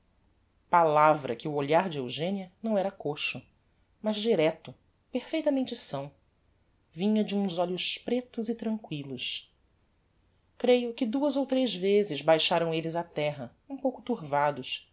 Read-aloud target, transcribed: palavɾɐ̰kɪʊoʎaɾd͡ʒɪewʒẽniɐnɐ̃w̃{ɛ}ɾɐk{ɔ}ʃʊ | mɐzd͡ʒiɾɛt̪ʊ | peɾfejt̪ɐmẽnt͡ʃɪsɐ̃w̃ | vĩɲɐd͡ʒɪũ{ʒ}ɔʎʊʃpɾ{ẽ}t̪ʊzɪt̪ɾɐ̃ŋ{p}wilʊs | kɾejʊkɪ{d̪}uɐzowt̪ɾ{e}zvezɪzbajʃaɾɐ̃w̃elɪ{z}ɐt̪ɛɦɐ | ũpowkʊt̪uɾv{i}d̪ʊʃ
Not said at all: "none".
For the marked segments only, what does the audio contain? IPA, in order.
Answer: ɛ, o, z, e, k, d̪, e, z, a

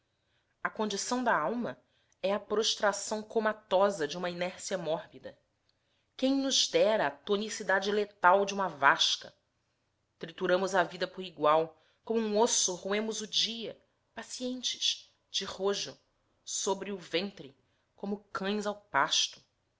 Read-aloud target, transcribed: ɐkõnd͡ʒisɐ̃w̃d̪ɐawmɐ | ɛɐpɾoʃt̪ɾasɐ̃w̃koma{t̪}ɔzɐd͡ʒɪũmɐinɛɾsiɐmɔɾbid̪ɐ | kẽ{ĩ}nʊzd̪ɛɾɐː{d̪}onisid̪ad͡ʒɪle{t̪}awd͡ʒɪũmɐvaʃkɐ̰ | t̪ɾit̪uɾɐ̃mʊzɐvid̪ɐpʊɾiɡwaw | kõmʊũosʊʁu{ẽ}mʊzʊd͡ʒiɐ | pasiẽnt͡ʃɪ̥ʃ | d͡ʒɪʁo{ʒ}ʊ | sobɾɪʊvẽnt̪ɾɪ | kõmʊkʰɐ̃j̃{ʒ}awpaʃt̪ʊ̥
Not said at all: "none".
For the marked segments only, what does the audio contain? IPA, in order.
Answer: t̪, j̃, t̪, t̪, ẽ, ʒ, z

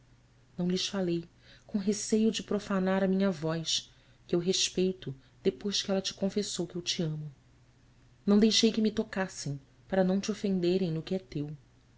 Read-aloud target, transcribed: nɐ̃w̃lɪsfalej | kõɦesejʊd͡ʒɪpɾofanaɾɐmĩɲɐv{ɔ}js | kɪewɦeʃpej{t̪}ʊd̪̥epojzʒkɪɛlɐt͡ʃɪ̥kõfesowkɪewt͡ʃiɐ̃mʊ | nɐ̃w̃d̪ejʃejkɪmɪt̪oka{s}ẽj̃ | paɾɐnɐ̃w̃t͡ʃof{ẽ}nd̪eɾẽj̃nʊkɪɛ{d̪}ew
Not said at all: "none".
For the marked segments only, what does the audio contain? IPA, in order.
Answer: ɔ, t̪, s, ẽ, t̪

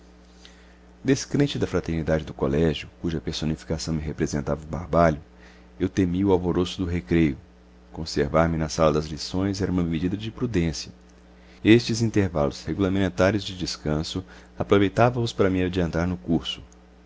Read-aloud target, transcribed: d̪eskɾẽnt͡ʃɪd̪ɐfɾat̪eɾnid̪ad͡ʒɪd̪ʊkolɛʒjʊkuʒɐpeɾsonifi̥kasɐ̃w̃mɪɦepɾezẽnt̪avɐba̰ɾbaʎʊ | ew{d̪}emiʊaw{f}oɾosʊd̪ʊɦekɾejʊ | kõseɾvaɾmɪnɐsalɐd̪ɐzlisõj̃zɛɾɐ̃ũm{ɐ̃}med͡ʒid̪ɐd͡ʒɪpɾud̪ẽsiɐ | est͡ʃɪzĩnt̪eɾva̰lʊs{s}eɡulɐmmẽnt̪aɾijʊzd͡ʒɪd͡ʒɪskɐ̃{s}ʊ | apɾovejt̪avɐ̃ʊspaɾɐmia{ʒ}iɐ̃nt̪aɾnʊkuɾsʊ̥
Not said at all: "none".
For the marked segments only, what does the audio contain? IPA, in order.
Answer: t̪, v, ɐ, h, s, d͡ʒ

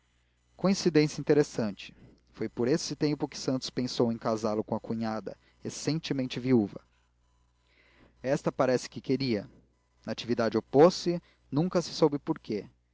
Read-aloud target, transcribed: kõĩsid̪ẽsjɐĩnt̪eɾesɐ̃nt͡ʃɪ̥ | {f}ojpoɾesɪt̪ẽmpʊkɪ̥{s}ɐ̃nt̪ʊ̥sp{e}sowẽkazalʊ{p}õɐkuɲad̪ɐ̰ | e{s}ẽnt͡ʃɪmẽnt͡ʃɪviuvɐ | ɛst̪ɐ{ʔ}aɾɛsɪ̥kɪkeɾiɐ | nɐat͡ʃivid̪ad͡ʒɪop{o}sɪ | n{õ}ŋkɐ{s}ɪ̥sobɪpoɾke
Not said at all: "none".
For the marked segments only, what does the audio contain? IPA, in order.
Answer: f, s, ẽ, k, s, p, o, ũ, s

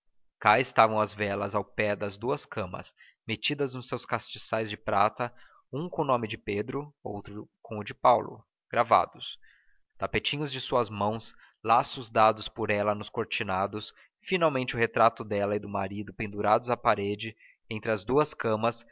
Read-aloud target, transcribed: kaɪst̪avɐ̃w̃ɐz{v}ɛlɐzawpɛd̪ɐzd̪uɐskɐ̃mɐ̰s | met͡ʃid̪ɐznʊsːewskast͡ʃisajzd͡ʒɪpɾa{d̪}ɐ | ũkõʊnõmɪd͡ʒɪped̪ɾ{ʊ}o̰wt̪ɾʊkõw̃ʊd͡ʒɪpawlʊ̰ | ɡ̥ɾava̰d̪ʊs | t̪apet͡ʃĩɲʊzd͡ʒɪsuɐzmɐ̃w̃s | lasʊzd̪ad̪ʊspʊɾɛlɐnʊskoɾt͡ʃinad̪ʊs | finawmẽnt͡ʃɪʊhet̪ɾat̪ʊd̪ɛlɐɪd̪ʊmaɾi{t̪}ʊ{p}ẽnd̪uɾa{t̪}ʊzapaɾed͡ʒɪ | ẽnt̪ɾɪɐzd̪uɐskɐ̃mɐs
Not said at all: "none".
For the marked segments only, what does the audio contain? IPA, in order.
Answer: v, t̪, ʊ, d̪, p, d̪

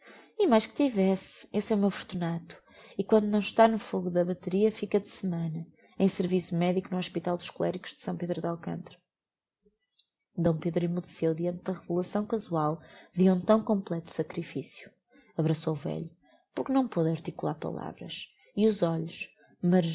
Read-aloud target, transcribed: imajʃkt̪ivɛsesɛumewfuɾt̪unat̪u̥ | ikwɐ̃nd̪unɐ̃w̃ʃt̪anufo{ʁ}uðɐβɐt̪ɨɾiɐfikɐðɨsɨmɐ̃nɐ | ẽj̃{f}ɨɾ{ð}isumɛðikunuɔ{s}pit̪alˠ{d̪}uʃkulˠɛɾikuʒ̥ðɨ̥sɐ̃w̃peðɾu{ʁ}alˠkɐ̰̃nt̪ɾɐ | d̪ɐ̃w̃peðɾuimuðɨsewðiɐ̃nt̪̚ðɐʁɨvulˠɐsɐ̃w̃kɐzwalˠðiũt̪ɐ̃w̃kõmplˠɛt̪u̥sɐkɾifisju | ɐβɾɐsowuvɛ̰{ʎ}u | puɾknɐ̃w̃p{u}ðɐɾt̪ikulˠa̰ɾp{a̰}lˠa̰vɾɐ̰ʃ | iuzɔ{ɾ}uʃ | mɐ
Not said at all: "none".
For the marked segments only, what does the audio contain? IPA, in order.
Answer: ɣ, s, v, ʃ, d̪, ð, ʎ, o, ɐ̰, ʎ

